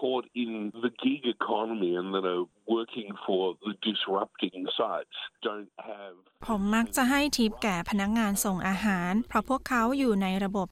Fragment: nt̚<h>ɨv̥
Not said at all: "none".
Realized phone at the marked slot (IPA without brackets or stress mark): h